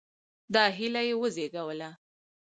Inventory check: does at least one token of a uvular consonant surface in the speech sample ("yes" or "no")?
no